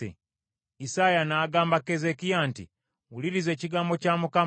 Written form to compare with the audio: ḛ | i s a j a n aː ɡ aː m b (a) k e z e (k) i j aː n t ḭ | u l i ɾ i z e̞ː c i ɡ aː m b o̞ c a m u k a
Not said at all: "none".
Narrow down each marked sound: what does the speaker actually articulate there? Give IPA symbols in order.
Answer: a, k

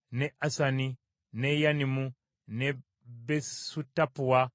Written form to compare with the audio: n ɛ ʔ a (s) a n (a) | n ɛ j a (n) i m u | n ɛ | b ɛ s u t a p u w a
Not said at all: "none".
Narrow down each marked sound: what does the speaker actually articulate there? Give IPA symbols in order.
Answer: s, i, n

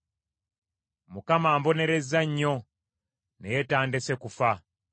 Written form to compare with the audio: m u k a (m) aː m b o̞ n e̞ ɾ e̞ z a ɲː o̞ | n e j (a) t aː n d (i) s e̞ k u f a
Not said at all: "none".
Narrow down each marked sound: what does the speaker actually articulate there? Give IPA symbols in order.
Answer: m, e, e

